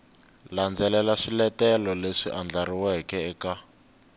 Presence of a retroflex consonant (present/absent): present